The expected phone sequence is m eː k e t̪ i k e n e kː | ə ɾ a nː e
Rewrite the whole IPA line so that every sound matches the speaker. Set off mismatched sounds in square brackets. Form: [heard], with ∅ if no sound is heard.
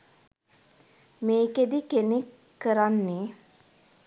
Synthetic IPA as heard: m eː k e [d̪] i k e n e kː | ə ɾ a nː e